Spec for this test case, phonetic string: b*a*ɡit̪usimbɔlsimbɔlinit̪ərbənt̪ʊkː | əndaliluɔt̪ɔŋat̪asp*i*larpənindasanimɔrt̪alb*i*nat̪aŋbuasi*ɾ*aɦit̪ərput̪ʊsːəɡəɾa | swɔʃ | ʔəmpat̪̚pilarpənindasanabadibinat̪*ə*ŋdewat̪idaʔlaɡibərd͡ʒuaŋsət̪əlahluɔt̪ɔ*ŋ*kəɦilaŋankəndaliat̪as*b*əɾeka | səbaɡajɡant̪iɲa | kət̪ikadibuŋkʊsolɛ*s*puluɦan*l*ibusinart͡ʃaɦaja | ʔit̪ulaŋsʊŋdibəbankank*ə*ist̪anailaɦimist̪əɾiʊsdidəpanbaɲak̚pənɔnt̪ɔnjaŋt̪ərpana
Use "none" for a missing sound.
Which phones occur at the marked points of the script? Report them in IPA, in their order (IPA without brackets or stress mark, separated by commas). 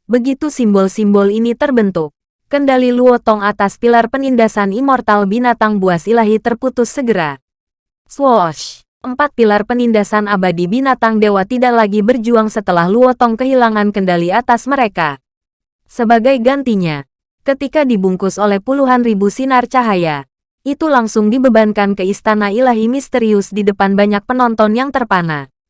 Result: ə, i, i, l, a, ŋ, m, h, r, ə